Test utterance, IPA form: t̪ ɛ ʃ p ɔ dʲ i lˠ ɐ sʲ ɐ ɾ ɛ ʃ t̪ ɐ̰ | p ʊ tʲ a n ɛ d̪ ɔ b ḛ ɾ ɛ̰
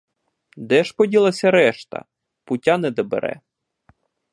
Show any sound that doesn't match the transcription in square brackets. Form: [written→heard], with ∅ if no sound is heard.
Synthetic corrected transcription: [t̪→d̪] ɛ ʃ p ɔ dʲ i lˠ ɐ sʲ ɐ ɾ ɛ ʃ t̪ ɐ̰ | p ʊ tʲ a n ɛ d̪ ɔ b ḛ ɾ ɛ̰